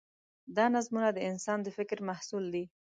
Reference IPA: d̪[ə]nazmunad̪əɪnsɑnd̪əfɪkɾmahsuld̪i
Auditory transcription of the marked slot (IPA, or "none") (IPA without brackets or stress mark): ɑ